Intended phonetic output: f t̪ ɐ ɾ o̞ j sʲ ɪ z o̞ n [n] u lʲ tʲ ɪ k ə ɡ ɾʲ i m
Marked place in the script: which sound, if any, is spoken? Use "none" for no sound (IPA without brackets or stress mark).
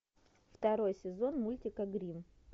m